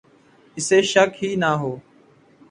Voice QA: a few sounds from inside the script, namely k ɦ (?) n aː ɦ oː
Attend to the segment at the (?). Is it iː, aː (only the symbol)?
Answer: iː